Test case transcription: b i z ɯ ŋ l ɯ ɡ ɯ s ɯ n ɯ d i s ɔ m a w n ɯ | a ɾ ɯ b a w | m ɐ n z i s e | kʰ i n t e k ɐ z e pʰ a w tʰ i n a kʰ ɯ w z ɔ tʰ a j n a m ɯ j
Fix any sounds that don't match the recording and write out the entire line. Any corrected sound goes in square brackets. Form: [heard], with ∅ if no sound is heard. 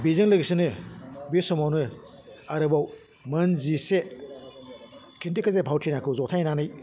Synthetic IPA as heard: b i z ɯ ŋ l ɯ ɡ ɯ s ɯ n ɯ [b] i s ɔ m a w n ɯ | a ɾ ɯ b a w | m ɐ n z i s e | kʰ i n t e k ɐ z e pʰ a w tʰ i n a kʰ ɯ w z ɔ tʰ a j n a [n] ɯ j